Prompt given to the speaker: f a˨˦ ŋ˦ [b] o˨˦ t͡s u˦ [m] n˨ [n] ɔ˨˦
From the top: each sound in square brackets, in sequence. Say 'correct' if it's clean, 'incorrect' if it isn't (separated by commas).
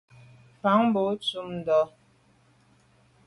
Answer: correct, correct, incorrect